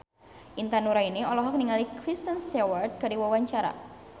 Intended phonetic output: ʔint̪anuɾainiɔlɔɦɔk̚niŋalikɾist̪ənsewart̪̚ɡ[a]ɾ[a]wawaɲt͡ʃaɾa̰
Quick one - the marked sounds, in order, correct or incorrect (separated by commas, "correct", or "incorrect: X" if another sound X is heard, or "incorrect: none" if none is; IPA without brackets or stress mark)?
correct, incorrect: i